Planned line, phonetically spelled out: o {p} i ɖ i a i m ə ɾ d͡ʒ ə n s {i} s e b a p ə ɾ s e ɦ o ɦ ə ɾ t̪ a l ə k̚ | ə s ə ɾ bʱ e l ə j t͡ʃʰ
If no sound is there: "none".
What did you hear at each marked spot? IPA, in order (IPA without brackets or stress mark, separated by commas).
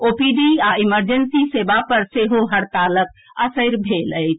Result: p, i